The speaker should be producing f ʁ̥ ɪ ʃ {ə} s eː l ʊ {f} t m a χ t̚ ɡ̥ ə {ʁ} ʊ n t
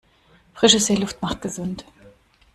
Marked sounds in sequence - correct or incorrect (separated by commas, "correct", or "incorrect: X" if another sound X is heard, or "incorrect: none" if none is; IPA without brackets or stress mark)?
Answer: correct, correct, incorrect: z